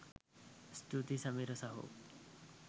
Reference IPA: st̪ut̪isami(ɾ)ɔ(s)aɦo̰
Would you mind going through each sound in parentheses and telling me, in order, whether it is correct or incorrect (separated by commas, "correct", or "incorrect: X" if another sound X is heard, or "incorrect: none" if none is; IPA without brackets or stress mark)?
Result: correct, correct